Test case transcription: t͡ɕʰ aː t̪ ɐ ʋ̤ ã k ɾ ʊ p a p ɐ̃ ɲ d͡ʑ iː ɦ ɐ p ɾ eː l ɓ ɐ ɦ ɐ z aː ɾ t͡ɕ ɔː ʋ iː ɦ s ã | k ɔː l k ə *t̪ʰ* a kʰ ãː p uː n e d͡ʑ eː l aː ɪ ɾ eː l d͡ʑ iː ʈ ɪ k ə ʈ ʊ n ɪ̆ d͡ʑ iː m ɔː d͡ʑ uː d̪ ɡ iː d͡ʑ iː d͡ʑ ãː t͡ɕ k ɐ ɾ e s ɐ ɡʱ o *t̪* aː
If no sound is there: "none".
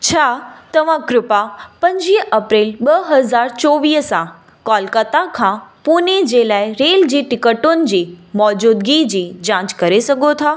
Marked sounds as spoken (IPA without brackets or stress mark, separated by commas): t̪, t̪ʰ